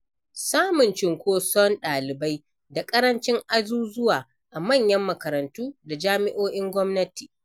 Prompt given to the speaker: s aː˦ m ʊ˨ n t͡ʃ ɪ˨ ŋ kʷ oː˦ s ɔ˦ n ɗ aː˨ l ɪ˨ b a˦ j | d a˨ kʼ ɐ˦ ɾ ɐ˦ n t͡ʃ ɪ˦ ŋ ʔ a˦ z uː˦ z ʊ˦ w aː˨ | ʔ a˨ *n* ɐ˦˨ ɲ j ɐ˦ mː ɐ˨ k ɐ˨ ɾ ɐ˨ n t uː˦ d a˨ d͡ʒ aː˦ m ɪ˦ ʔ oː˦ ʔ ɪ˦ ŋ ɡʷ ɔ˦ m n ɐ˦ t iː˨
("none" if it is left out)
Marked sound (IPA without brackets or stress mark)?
m